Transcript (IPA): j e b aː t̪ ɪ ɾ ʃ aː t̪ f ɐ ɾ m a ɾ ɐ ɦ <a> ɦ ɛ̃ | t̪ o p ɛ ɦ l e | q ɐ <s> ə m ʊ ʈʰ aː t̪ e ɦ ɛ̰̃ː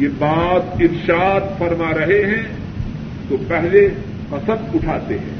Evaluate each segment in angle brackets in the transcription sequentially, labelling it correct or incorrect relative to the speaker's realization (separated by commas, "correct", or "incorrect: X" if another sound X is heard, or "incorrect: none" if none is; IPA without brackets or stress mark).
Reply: incorrect: e, correct